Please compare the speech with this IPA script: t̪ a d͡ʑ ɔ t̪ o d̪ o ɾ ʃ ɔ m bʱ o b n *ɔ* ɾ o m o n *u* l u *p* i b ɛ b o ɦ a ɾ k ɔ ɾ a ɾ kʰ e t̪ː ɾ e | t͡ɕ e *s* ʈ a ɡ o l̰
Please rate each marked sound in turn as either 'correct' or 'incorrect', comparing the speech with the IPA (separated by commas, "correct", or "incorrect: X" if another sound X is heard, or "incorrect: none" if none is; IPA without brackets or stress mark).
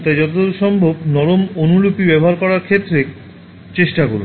correct, correct, correct, incorrect: ʃ